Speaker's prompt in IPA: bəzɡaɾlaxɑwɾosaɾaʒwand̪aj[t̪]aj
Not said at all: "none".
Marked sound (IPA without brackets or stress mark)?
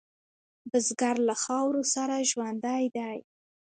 d̪